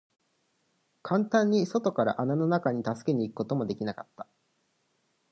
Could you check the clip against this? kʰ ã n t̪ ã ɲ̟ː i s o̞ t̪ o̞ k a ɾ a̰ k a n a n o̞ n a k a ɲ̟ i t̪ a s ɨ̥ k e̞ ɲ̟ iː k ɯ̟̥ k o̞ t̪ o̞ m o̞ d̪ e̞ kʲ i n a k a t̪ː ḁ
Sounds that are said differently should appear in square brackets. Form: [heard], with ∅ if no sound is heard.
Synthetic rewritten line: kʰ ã n t̪ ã ɲ̟ː i s o̞ t̪ o̞ k a ɾ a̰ [ʔ] a n a n o̞ n a k a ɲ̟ i t̪ a s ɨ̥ k e̞ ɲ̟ iː k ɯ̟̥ k o̞ t̪ o̞ m o̞ d̪ e̞ kʲ i n a k a t̪ː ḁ